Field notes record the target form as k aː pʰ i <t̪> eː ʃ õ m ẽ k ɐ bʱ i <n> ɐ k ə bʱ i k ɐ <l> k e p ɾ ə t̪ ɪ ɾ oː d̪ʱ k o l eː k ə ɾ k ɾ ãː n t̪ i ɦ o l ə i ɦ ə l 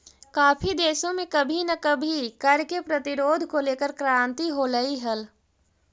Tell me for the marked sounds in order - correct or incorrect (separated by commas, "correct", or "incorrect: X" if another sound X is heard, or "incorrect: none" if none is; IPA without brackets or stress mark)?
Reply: incorrect: d̪, correct, incorrect: ɾ